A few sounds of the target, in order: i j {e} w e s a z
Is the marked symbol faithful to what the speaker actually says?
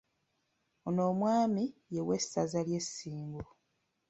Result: yes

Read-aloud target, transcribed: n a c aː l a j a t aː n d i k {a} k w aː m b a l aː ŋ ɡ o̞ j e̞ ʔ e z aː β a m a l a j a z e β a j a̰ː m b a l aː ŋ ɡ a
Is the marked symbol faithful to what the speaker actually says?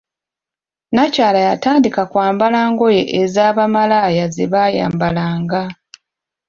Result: yes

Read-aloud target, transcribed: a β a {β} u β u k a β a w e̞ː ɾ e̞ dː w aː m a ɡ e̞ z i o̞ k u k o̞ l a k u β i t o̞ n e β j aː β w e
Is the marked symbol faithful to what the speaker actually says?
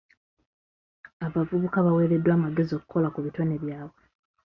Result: no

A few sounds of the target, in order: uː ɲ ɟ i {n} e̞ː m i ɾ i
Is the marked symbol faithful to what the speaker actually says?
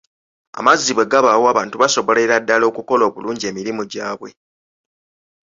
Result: no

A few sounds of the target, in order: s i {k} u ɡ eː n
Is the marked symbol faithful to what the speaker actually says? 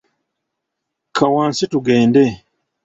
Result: no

